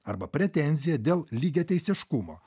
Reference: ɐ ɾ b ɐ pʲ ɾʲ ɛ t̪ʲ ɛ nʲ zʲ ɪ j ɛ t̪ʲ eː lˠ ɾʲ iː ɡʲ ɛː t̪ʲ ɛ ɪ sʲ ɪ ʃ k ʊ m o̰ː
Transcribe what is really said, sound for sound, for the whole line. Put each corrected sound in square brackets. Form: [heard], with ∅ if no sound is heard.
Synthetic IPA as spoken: ɐ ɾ b ɐ pʲ ɾʲ ɛ t̪ʲ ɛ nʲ zʲ ɪ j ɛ [d̪ʲ] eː lˠ [lʲ] iː ɡʲ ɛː t̪ʲ ɛ ɪ sʲ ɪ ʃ k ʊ m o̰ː